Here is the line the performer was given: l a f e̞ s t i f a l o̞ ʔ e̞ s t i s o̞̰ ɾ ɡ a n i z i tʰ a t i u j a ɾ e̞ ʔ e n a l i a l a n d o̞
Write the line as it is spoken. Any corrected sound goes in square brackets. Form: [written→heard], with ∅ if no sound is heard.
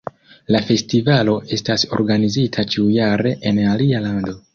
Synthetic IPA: l a f e̞ s t i [f→v] a l o̞ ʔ e̞ s t [i→a] s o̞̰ ɾ ɡ a n i z i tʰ a [t→t͡ʃ] i u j a ɾ e̞ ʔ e n a l i a l a n d o̞